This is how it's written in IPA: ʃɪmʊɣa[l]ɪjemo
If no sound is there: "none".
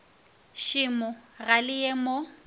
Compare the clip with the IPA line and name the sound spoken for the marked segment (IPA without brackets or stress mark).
l